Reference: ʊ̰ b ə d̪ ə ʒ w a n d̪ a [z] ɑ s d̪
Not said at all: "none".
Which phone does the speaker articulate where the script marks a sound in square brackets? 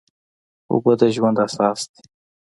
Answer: s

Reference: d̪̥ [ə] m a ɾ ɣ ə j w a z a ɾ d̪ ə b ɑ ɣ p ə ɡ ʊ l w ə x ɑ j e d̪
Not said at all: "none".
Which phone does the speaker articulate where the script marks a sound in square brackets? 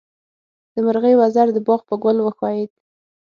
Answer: ə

